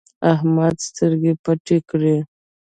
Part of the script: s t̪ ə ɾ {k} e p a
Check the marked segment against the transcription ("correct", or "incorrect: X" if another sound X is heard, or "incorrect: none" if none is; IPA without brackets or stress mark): incorrect: ɡ